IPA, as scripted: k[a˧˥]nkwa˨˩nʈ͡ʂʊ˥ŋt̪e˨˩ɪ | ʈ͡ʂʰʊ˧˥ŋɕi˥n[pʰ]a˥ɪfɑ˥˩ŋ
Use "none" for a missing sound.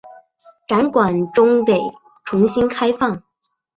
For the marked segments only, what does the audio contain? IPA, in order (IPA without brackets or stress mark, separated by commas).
a˧˥, kʰ